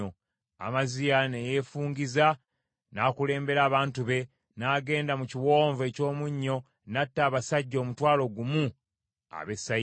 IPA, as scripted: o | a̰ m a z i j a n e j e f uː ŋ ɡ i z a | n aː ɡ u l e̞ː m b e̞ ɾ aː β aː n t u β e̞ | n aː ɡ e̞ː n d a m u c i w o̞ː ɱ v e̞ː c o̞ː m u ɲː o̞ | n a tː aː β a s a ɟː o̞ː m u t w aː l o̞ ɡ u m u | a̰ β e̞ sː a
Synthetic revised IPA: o | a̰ m a z i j a n e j e f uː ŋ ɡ i z a | n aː k u l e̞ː m b e̞ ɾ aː β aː n t u β e̞ | n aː ɡ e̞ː n d a m u c i w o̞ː ɱ v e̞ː c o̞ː m u ɲː o̞ | n a tː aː β a s a ɟː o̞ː m u t w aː l o̞ ɡ u m u | a̰ β e̞ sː a